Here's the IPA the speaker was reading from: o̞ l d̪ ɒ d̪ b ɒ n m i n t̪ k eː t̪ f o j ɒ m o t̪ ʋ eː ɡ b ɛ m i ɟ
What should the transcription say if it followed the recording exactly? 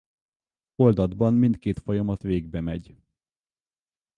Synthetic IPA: o̞ l d̪ ɒ d̪ b ɒ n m i n t̪ k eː t̪ f o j ɒ m ɒ t̪ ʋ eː ɡ b ɛ m ɛ ɟ